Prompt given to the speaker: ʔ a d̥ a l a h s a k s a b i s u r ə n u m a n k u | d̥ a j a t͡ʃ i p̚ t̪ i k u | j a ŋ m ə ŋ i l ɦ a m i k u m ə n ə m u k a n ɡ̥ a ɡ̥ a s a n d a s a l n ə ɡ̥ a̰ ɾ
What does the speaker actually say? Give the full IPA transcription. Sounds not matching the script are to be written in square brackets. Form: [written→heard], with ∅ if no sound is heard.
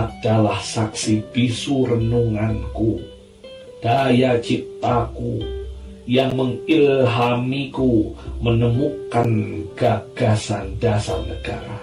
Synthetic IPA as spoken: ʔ a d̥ a l a h s a k s [a→i] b i s u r ə n u [m→ŋ] a n k u | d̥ a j a t͡ʃ i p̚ t̪ [i→a] k u | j a ŋ m ə ŋ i l ɦ a m i k u m ə n ə m u k a n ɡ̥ a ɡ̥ a s a n d a s a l n ə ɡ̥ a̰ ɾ